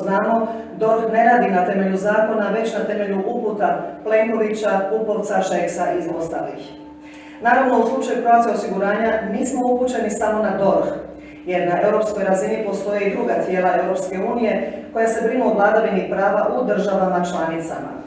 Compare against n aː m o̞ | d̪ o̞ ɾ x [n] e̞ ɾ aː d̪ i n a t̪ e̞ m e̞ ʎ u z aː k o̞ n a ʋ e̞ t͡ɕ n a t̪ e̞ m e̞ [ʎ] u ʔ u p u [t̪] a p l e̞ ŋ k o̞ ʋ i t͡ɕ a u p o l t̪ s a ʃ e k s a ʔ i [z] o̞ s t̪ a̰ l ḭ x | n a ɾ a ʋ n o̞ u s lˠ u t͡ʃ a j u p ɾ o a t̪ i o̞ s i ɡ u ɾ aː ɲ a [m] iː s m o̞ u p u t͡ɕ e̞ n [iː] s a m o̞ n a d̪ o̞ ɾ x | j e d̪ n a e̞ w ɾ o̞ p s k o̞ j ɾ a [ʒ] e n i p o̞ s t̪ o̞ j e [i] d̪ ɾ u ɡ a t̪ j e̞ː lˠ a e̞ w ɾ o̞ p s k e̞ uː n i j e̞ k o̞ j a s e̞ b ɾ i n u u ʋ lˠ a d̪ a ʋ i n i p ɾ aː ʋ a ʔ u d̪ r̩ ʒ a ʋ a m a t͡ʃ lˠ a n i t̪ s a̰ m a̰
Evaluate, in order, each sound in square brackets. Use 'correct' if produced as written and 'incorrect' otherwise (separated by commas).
correct, correct, correct, correct, incorrect, incorrect, incorrect, correct